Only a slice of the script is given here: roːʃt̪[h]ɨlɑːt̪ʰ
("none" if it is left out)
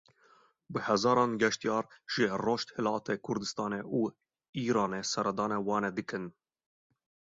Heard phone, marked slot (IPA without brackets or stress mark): h